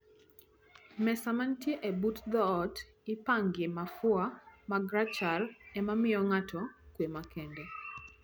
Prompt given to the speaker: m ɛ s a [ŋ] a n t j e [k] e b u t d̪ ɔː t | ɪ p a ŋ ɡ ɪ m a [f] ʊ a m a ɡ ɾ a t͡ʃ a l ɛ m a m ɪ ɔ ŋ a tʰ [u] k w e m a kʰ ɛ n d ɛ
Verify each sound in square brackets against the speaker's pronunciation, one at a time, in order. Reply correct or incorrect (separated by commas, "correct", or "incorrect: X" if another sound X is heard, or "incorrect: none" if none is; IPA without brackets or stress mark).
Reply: incorrect: m, incorrect: ʔ, correct, incorrect: ɔ